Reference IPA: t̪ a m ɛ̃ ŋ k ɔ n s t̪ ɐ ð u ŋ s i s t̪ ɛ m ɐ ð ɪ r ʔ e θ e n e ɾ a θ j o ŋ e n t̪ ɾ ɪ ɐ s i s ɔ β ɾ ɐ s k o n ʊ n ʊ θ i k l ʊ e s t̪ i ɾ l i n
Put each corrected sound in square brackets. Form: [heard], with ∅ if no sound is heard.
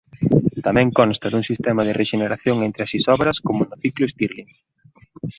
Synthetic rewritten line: t̪ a m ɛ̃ ŋ k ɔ n s t̪ ɐ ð u ŋ s i s t̪ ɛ m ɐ ð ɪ r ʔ e [ʃ] e n e ɾ a θ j o ŋ e n t̪ ɾ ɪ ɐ s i s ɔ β ɾ ɐ s k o [m] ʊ n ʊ θ i k l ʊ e s t̪ i ɾ l i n